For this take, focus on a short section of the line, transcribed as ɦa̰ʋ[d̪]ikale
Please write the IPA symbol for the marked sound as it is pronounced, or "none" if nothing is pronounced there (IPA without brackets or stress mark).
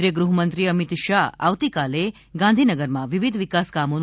t̪